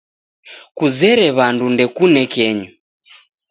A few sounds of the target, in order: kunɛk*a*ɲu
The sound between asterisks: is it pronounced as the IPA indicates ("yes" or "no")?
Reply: no